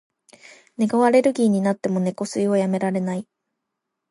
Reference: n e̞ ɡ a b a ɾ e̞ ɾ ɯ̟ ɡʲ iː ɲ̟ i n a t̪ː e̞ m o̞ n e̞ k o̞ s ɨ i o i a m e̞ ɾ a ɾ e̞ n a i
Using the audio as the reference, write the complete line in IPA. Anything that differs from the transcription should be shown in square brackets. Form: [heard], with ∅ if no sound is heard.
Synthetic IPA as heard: n e̞ ɡ a [β] a ɾ e̞ ɾ ɯ̟ ɡʲ iː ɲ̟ i n a t̪ː e̞ m o̞ n e̞ k o̞ s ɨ i o [j] a m e̞ ɾ a ɾ e̞ n a i